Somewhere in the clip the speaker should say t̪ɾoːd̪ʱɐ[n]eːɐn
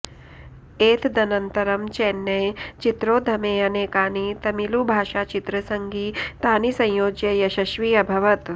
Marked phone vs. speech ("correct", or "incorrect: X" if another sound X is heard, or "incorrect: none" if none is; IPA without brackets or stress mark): incorrect: m